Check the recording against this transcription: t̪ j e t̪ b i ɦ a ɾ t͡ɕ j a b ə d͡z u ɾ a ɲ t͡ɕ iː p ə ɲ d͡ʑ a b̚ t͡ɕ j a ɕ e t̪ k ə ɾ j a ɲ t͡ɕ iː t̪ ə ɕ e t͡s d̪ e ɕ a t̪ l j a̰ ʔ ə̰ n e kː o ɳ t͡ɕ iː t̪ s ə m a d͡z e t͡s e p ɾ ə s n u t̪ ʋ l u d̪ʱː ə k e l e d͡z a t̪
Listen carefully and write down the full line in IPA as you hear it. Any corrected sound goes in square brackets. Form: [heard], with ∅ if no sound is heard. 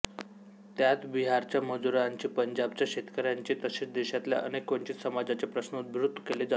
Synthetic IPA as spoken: t̪ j [a] t̪ b i ɦ a ɾ t͡ɕ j a [m] ə d͡z u ɾ a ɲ t͡ɕ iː p ə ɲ d͡ʑ a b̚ t͡ɕ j a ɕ e t̪ k ə ɾ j a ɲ t͡ɕ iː t̪ ə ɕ e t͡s d̪ e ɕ a t̪ l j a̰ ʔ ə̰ n e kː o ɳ t͡ɕ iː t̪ s ə m a d͡z [a] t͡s e p ɾ ə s n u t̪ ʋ [ɾ] u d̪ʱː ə k e l e d͡z a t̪